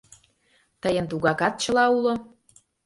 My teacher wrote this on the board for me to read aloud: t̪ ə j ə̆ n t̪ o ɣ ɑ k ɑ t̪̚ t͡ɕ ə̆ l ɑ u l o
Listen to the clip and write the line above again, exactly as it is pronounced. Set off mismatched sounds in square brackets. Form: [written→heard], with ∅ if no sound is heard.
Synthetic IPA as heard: t̪ ə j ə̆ n t̪ [o→u] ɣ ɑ k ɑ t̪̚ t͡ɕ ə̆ l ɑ u l o